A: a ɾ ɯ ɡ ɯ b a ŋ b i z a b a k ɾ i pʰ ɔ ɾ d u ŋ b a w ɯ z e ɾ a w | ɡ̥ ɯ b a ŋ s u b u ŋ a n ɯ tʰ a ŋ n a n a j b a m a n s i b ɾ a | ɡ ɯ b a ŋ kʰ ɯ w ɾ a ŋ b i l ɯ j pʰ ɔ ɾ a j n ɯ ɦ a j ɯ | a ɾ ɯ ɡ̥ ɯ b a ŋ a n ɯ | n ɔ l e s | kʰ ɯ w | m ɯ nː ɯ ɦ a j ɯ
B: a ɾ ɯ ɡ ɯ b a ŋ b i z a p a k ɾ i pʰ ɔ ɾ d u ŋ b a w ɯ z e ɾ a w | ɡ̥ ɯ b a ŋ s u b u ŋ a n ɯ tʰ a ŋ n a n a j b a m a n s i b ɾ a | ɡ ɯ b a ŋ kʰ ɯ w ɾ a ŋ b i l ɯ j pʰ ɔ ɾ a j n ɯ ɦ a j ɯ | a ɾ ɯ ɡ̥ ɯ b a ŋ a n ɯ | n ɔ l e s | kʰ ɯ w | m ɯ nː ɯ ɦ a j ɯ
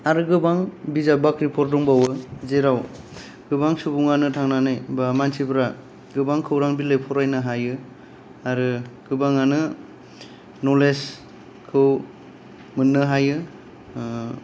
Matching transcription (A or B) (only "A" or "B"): A